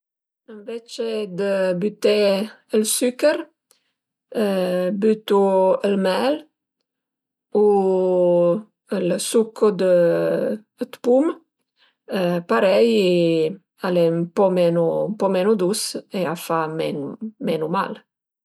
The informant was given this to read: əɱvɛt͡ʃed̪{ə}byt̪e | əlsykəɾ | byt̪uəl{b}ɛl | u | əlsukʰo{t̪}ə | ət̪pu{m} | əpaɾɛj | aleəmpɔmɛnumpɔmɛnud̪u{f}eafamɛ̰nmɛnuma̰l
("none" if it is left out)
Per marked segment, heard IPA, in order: ə, m, d̪, m, s

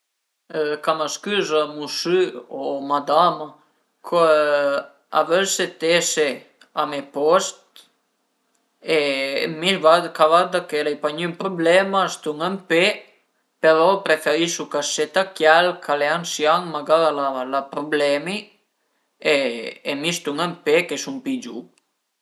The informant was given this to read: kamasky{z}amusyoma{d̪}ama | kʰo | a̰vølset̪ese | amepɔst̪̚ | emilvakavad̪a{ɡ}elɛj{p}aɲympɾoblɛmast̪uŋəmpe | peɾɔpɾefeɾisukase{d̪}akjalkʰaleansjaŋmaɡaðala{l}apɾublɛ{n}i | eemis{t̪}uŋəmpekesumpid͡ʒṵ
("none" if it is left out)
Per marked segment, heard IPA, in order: z, d̪, k, p, t̪, l, m, t̪

